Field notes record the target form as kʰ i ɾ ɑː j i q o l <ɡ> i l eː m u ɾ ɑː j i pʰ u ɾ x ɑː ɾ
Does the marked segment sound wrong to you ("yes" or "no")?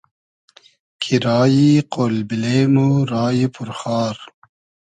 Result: yes